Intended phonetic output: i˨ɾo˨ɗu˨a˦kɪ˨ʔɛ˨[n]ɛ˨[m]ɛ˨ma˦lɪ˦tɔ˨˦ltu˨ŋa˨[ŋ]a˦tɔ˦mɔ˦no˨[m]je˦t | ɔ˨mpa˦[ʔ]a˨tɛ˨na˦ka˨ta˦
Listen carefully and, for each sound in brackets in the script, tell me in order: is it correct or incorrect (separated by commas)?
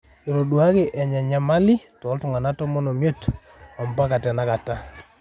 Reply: incorrect, incorrect, incorrect, correct, incorrect